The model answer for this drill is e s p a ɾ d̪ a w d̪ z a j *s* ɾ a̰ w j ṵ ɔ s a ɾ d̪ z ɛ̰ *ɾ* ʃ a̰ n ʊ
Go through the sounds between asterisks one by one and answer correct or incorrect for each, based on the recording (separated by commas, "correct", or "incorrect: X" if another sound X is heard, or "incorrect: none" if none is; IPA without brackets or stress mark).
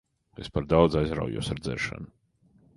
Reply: incorrect: z, correct